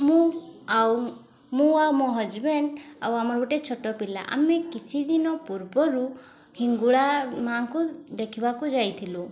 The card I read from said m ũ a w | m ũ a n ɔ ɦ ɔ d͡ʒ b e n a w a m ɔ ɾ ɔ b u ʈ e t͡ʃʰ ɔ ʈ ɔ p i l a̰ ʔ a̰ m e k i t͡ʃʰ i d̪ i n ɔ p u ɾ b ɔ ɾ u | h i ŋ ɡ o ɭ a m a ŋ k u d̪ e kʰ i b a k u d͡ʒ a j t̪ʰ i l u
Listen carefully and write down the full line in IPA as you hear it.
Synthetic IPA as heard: m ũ a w | m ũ a m ɔ ɦ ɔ d͡ʒ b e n a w a m ɔ ɾ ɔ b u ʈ e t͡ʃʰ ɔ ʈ ɔ p i l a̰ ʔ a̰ m e k i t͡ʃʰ i d̪ i n ɔ p u ɾ b ɔ ɾ u | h i ŋ ɡ u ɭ a m a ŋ k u d̪ e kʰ i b a k u d͡ʒ a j t̪ʰ i l u

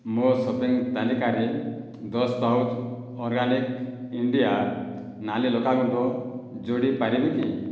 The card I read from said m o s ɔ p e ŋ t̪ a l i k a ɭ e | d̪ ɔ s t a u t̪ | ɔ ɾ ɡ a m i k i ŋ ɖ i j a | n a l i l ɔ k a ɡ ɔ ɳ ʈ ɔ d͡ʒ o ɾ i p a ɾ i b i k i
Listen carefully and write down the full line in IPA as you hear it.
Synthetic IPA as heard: m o s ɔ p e ŋ t̪ a l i k a ɾ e | d̪ ɔ s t a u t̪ | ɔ ɾ ɡ a n i k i ɳ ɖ i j a | n a l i l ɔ k a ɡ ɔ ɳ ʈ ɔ d͡ʒ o ɽ i p a ɾ i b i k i

